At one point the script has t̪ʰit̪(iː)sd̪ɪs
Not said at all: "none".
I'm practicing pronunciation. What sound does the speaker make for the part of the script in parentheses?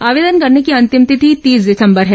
iː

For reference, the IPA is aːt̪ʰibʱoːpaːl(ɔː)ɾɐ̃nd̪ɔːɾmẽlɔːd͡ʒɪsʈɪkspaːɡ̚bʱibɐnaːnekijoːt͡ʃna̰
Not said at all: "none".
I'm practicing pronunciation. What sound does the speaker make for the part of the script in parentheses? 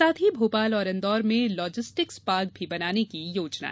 ɔː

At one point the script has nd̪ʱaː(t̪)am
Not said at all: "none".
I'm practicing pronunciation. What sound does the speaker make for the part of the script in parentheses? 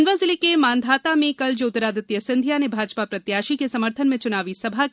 t̪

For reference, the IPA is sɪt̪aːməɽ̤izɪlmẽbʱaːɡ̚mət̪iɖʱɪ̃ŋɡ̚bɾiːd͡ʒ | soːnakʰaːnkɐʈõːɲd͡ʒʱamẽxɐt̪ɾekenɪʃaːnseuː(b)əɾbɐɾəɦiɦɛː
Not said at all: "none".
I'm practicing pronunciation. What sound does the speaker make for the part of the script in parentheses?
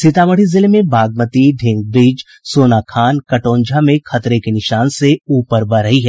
p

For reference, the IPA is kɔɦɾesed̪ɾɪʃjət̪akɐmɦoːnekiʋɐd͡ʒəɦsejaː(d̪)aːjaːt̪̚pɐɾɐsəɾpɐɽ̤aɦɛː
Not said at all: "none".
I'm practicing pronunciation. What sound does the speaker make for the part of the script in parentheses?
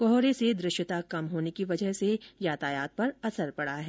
t̪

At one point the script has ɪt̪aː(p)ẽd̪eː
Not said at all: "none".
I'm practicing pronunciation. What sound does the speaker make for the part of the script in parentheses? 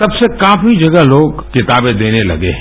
b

